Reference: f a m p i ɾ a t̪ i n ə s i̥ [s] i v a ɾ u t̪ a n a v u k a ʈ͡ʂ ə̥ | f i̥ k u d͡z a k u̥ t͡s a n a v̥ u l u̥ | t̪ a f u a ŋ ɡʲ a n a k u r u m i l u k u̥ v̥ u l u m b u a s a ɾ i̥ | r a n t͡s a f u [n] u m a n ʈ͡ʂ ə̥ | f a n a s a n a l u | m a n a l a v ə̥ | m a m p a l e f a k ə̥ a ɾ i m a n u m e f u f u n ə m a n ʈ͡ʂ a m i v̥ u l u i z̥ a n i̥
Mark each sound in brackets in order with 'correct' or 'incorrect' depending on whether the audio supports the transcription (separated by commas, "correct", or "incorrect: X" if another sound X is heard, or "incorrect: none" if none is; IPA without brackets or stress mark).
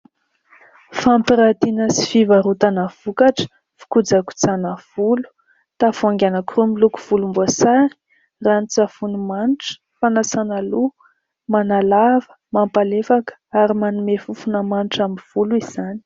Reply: incorrect: f, correct